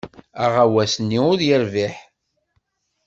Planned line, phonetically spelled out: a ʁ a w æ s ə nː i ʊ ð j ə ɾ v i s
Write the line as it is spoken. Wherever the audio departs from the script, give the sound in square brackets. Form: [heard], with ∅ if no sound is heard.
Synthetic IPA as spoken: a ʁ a w æ s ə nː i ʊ ð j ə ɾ v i [ħ]